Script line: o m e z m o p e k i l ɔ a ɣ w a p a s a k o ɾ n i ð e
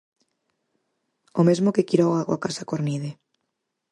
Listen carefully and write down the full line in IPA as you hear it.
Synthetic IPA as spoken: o m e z m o k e k i ɾ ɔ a ɣ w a k a s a k o ɾ n i ð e